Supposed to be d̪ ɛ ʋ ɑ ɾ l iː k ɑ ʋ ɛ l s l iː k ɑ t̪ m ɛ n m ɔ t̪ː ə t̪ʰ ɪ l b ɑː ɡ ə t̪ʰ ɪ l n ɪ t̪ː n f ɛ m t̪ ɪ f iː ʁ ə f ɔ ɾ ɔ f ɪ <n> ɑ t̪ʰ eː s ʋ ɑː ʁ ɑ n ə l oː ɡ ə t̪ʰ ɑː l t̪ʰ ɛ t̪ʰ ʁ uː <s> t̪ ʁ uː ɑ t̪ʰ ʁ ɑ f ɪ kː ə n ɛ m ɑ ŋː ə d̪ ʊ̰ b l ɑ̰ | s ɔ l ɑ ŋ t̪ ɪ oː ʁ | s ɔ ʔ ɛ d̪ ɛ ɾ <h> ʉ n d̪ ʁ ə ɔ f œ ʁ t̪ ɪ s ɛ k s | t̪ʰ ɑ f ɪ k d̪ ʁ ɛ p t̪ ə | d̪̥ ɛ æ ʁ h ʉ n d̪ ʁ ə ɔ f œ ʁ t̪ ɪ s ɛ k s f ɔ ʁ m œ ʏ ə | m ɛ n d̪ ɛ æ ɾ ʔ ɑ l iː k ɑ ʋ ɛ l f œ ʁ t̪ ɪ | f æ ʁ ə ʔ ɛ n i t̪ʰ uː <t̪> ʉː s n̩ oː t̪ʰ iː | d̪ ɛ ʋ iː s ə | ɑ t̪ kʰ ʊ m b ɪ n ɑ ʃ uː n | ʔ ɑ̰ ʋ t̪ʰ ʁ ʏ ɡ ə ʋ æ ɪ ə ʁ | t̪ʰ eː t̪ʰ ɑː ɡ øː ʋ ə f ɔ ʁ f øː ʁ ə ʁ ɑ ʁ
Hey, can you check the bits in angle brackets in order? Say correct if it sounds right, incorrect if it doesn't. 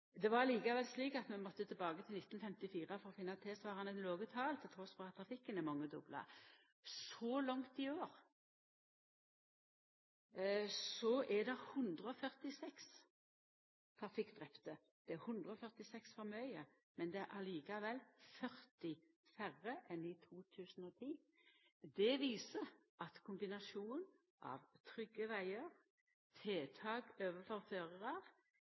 incorrect: nː, correct, correct, incorrect: t̪ʰ

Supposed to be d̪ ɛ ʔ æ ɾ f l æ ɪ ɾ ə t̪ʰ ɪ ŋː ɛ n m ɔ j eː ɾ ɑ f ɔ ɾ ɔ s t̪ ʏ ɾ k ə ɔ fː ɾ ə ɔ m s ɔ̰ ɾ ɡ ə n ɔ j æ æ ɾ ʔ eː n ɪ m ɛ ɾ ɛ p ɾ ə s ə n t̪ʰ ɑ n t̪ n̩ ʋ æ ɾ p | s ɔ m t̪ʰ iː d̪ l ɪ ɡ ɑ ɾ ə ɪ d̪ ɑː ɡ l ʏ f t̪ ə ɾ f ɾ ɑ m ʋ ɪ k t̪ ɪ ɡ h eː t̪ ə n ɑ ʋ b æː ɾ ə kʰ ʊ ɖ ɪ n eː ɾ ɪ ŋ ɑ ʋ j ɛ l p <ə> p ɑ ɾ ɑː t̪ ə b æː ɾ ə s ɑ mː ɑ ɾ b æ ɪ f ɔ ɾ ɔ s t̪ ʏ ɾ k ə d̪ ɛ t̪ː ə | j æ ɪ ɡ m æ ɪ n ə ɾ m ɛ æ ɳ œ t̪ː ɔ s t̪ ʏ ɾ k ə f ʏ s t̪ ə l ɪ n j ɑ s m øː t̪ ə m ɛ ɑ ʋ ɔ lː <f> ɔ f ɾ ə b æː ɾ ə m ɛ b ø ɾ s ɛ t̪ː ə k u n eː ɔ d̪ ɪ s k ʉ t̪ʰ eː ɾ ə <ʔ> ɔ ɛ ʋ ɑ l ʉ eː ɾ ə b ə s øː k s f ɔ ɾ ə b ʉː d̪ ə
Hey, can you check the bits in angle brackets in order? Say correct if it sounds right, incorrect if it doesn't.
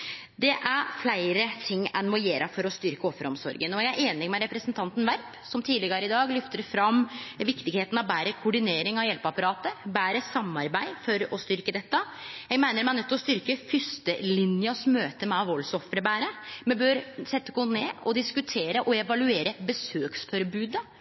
incorrect: ɑ, incorrect: s, correct

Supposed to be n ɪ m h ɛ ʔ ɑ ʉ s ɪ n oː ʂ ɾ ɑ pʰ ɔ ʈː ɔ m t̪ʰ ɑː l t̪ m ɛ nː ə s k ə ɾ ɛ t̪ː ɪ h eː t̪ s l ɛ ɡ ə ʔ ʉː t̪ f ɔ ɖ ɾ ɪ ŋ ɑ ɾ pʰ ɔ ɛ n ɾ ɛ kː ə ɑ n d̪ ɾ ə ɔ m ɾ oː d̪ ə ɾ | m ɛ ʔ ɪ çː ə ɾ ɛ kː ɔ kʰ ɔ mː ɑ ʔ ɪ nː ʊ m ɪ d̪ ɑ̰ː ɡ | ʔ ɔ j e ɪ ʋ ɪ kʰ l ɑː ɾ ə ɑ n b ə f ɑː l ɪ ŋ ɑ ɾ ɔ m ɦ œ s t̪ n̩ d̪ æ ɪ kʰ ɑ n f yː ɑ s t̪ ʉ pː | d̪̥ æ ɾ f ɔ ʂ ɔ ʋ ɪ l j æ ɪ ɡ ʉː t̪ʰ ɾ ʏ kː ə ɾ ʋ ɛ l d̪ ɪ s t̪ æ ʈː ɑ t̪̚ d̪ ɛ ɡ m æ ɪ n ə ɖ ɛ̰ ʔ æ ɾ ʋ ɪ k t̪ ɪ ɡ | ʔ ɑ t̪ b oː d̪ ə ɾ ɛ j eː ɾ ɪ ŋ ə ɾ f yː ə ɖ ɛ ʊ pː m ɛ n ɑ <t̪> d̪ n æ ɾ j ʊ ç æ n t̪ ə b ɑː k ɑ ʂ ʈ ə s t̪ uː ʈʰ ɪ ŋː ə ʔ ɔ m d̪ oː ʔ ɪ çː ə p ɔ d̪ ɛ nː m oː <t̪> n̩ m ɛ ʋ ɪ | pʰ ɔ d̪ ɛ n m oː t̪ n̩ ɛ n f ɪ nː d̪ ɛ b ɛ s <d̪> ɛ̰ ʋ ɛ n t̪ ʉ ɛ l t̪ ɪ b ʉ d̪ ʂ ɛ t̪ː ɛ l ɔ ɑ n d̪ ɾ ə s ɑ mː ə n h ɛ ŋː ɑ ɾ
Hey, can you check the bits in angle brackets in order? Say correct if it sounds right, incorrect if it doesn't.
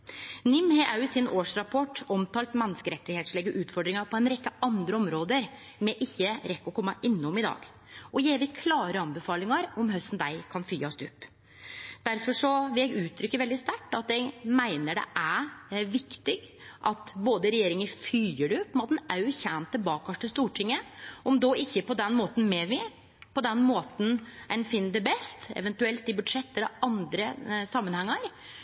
correct, correct, incorrect: t̪

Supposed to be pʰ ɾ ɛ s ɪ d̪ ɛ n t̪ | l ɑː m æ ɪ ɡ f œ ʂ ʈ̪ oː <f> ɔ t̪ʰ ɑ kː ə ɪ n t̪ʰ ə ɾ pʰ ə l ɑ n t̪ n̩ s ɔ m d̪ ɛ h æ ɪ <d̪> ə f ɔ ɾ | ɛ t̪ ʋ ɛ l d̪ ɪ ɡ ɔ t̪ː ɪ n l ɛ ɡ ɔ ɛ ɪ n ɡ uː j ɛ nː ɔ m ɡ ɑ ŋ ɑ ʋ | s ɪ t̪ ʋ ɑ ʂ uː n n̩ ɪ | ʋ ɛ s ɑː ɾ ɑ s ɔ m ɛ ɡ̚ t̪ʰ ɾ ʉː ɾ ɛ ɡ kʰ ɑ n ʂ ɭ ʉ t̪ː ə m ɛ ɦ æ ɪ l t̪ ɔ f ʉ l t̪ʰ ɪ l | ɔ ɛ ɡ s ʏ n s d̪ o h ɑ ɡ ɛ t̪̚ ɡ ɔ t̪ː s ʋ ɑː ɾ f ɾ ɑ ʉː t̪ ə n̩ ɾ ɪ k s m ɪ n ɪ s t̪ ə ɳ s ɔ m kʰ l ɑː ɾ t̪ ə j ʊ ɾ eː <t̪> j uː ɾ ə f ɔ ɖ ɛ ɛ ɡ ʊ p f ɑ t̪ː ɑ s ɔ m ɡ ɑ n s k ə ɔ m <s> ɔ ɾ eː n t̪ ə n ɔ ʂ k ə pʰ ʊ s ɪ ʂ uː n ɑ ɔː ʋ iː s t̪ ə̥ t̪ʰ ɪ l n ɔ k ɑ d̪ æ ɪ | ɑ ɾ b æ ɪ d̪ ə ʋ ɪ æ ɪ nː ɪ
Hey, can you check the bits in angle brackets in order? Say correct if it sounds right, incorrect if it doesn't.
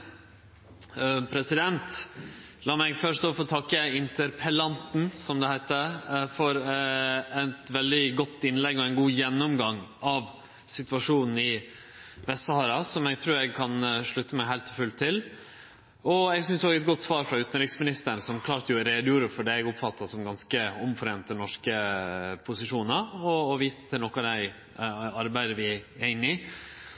correct, incorrect: t̪, incorrect: d̪, incorrect: f

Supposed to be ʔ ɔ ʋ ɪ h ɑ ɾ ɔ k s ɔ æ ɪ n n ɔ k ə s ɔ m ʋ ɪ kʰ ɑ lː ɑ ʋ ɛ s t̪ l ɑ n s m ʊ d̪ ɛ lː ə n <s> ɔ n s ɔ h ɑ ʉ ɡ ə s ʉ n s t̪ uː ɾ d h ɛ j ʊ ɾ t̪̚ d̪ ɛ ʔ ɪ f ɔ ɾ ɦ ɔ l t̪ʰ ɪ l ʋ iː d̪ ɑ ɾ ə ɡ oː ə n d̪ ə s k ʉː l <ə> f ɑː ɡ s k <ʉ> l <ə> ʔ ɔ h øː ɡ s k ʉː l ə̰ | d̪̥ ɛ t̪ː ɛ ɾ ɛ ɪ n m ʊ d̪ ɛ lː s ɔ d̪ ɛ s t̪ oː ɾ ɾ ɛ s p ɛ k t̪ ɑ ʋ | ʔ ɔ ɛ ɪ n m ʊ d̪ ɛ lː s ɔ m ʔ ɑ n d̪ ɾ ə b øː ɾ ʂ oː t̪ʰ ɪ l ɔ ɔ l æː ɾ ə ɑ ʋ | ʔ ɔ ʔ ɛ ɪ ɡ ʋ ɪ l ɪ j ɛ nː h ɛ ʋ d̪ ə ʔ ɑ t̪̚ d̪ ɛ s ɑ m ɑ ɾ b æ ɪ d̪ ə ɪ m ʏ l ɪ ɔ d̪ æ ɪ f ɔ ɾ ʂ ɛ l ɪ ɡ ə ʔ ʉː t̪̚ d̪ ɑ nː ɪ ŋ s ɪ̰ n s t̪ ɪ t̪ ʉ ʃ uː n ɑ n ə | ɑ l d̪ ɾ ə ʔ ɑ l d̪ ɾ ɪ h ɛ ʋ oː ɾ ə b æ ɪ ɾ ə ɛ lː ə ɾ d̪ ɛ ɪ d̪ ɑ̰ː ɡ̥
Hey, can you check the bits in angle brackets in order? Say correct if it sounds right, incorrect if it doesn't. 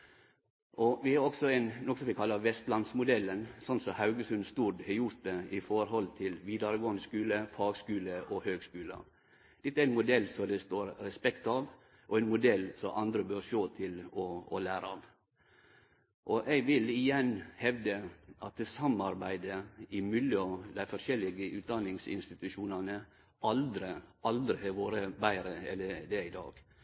correct, correct, incorrect: ʉː, correct

